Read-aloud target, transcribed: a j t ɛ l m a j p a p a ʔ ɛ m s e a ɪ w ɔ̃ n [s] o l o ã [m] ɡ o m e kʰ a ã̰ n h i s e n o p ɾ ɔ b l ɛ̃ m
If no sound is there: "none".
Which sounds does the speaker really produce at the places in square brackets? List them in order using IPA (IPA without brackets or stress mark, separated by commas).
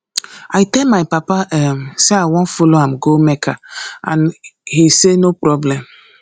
f, m